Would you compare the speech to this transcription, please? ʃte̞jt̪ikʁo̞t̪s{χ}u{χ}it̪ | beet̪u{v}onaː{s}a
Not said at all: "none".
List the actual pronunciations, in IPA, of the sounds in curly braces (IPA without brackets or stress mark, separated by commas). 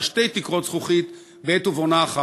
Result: χ, χ, v, χ